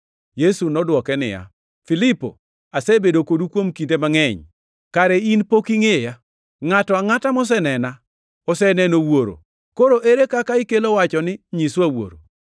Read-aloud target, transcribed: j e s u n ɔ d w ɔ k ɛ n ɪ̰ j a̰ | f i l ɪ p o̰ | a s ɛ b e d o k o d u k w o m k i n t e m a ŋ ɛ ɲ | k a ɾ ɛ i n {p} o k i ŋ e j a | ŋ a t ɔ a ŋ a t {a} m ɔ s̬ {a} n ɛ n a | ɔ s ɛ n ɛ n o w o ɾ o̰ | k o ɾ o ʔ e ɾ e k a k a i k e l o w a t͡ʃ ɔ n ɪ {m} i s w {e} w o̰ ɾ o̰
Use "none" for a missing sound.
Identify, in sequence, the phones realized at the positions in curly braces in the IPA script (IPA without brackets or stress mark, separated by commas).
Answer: p, a, ɛ, ɲ, a